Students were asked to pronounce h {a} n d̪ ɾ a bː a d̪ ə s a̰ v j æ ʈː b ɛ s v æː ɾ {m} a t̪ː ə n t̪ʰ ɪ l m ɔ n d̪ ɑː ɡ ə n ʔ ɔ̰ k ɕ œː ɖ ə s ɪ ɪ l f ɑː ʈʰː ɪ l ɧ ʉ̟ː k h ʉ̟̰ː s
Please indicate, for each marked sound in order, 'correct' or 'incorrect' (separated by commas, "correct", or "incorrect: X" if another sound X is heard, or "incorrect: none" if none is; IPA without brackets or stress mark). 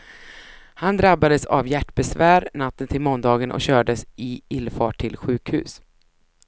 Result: correct, incorrect: n